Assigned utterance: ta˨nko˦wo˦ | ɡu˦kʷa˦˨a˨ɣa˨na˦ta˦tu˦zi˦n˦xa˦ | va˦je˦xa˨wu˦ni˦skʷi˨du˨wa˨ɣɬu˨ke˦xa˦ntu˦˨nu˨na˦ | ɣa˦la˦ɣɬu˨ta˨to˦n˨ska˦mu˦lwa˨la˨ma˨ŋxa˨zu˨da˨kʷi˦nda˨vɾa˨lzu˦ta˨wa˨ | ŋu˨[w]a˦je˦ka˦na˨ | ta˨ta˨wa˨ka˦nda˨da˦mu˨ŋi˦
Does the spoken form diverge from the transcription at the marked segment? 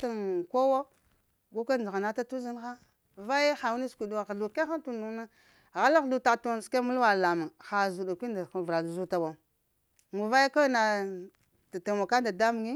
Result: yes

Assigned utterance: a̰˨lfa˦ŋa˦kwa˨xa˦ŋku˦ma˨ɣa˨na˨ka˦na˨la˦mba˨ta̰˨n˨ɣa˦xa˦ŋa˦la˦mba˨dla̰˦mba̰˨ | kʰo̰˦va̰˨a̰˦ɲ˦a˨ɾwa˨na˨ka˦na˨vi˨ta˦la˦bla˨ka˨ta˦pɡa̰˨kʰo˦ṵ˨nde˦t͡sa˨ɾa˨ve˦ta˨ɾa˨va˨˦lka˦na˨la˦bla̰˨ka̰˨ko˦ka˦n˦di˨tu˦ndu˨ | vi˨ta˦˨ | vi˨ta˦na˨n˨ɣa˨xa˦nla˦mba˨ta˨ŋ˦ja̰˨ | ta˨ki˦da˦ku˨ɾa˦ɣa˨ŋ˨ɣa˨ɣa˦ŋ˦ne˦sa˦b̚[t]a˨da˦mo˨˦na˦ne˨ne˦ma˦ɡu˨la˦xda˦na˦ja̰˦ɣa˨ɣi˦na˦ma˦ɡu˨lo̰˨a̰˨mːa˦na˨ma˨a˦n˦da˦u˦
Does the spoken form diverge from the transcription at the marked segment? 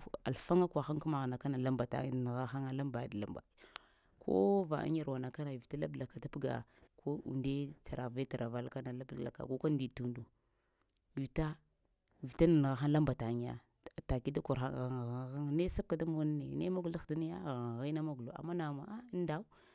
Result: yes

